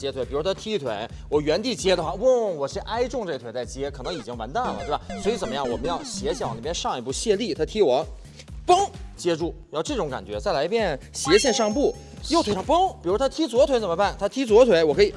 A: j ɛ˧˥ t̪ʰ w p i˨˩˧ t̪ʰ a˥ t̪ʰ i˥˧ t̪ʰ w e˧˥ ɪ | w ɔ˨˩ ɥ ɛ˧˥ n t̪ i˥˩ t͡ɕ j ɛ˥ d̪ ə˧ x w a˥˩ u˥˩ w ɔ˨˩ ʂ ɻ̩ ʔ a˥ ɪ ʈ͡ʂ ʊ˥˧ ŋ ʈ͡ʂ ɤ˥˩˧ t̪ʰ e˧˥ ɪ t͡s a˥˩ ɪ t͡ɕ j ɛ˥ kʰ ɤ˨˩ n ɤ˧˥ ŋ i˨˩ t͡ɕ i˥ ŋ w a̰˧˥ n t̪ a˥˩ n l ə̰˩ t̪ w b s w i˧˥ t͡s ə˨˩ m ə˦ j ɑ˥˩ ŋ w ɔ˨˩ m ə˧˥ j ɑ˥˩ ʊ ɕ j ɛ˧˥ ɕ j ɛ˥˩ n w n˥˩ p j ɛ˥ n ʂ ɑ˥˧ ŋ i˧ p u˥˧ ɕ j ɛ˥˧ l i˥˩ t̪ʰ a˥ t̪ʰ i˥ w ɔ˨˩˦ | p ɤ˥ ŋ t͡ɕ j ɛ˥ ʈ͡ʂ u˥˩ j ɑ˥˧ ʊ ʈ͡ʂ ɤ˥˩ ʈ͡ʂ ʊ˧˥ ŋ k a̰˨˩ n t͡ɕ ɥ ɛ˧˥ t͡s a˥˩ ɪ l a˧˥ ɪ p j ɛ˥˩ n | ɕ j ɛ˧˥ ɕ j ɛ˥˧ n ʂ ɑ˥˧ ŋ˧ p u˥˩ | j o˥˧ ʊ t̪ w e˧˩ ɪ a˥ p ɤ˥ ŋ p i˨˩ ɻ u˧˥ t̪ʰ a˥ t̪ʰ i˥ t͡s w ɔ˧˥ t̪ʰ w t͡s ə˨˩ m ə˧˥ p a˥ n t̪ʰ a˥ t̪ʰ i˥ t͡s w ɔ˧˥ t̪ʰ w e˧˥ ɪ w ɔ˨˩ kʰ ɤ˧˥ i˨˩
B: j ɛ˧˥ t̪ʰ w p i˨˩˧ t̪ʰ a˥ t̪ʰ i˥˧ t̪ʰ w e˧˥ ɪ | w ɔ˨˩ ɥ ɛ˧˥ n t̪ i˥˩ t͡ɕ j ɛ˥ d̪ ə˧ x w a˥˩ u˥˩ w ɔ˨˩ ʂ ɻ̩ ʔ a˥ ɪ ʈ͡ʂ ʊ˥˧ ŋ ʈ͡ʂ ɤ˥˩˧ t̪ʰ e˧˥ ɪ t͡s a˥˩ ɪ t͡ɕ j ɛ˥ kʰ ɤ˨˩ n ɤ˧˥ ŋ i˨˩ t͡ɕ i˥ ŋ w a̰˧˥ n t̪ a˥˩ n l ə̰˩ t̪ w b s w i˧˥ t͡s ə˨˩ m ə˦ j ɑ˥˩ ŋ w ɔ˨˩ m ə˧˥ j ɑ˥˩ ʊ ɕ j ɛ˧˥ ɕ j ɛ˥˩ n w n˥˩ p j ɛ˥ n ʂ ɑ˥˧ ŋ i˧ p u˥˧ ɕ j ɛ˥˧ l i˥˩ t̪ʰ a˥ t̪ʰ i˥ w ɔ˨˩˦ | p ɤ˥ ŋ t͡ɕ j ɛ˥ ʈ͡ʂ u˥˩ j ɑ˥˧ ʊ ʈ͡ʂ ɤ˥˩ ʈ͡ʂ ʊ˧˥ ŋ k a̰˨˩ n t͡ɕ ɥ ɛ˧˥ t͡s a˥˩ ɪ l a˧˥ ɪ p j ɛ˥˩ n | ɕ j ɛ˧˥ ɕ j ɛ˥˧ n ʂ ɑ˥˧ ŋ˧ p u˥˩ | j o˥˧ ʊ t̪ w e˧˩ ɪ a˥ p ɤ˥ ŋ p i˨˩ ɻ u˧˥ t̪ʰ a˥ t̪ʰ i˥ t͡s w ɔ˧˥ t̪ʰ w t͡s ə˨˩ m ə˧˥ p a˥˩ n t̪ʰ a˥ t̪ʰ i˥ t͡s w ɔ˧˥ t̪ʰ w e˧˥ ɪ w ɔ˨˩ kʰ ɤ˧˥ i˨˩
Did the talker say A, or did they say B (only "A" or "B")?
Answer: B